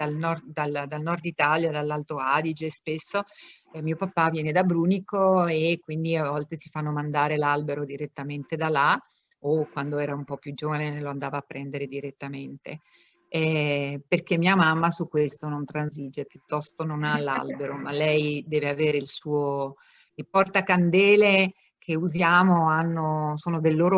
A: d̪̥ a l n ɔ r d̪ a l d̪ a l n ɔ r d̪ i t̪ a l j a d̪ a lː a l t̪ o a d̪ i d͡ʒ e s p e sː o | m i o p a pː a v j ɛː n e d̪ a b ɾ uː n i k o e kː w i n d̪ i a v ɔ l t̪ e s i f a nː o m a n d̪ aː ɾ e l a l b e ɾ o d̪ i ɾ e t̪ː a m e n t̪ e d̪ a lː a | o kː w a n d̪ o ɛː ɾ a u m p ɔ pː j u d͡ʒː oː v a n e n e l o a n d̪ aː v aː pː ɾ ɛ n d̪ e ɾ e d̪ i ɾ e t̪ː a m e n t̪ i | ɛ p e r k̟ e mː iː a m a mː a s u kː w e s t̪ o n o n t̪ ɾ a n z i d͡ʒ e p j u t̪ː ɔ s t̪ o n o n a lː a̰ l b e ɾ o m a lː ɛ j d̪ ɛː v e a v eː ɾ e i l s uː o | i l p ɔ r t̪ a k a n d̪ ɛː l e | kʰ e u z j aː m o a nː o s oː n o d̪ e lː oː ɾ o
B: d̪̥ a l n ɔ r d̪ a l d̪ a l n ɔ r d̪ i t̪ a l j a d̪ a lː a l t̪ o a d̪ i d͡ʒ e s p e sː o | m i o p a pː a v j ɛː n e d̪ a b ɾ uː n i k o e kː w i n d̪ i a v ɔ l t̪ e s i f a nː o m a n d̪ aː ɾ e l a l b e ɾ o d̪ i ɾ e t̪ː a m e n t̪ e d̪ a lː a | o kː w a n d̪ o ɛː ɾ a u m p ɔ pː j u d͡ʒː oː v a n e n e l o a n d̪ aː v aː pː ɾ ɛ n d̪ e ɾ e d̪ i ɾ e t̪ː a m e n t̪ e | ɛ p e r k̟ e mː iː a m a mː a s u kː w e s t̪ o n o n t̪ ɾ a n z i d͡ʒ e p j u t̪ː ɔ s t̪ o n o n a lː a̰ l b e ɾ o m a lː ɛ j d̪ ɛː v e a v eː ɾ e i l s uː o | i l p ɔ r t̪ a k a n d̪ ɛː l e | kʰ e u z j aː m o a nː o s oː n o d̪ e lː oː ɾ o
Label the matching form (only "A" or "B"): B